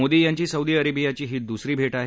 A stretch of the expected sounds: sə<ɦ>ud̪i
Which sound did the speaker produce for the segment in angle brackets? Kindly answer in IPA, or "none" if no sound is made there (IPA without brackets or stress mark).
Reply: none